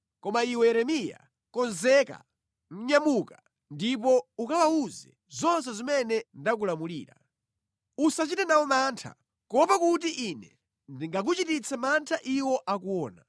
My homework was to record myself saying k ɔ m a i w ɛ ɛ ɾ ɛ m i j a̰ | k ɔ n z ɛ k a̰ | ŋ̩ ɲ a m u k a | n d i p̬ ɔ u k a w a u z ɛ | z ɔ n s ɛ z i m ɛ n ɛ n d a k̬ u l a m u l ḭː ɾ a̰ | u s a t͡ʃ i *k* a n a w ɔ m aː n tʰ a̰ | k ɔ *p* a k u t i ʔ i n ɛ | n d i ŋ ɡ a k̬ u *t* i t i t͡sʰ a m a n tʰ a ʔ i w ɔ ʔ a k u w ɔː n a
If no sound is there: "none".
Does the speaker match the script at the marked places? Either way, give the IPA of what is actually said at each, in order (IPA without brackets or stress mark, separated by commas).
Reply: t, p, t͡ʃ